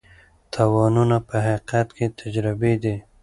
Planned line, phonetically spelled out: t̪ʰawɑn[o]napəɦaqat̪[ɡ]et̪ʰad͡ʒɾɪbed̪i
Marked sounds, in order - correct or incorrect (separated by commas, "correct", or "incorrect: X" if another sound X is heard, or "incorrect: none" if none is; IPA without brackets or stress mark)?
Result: incorrect: u, incorrect: k